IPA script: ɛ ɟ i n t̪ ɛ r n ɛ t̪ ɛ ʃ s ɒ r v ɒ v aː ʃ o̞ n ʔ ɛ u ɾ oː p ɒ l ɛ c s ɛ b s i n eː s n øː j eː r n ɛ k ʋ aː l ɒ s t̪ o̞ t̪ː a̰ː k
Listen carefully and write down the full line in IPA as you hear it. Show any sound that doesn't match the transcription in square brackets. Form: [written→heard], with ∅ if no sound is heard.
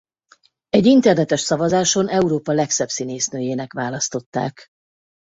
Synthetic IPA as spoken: ɛ ɟ i n t̪ ɛ r n ɛ t̪ ɛ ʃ s ɒ [r→∅] v ɒ [v→z] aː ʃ o̞ n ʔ ɛ u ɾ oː p ɒ l ɛ [c→k] s ɛ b s i n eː s n øː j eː [r→∅] n ɛ k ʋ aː l ɒ s t̪ o̞ t̪ː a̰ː k